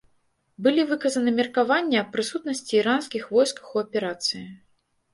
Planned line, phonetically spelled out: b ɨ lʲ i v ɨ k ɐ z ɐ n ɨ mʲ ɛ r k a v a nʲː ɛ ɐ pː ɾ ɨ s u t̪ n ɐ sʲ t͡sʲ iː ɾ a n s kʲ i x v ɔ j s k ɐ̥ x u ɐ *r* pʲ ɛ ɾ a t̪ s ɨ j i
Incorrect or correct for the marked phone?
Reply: incorrect: none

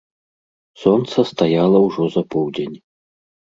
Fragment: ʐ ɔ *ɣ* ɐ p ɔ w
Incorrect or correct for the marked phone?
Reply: incorrect: z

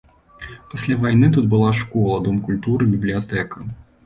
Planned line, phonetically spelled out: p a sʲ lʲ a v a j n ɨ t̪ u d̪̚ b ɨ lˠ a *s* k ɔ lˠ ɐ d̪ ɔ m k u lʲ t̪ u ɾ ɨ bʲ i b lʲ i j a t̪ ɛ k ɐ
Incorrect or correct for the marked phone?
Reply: incorrect: ʂ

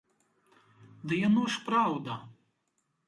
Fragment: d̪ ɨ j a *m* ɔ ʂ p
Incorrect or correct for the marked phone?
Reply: incorrect: n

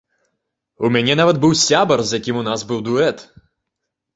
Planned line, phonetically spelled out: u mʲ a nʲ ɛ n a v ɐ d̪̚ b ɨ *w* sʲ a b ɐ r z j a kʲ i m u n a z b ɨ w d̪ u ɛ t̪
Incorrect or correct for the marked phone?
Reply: correct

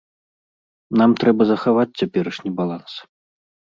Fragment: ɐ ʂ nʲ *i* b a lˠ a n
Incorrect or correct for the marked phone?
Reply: correct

